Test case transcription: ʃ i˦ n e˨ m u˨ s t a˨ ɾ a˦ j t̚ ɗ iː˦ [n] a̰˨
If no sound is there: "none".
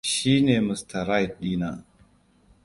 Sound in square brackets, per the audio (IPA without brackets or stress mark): n